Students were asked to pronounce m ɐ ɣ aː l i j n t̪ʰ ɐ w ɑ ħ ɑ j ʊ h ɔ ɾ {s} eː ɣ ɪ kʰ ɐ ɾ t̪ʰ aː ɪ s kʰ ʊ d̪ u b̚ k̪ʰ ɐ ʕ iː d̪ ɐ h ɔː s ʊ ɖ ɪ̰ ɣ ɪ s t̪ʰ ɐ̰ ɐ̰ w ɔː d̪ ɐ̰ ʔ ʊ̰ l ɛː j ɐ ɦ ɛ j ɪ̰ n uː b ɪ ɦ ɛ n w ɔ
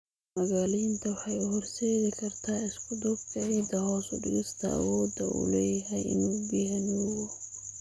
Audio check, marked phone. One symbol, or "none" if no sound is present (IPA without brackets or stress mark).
s